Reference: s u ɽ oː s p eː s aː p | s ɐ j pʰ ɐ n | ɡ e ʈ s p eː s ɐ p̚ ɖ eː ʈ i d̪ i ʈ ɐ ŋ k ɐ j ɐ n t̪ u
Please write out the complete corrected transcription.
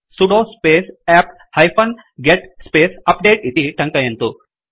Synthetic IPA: s u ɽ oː s p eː s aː p | h ɐ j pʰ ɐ n | ɡ e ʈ s p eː s ɐ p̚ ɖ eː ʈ i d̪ i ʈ ɐ ŋ k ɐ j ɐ n t̪ u